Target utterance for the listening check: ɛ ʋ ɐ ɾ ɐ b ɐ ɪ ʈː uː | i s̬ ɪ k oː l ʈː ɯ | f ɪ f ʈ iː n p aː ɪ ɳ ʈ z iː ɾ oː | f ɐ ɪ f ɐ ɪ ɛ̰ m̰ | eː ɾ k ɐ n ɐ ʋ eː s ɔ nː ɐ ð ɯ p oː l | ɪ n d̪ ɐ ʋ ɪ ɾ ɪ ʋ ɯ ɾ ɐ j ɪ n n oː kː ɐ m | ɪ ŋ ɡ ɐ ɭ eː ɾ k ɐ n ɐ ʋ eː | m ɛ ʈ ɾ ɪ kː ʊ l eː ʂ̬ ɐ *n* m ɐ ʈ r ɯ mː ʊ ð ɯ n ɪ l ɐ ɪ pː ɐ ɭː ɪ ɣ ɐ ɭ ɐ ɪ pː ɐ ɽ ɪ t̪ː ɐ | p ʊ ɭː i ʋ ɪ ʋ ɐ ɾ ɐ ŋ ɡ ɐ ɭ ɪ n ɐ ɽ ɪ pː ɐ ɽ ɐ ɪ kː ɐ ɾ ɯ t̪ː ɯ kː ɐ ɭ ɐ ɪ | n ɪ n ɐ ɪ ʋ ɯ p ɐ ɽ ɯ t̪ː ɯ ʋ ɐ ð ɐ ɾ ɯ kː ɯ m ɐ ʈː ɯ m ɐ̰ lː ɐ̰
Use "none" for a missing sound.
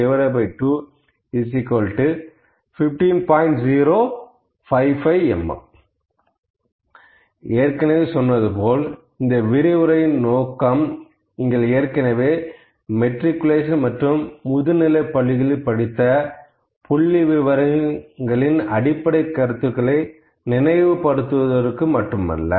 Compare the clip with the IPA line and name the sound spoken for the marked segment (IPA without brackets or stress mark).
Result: n